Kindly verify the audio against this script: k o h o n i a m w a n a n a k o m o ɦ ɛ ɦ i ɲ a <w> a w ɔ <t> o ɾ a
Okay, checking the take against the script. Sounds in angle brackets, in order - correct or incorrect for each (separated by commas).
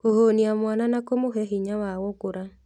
correct, incorrect